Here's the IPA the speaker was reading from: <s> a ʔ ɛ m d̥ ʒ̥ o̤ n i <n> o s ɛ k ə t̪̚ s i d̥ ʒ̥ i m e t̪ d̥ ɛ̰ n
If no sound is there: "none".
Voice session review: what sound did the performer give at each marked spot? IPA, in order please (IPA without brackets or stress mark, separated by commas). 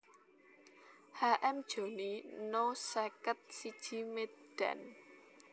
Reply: h, n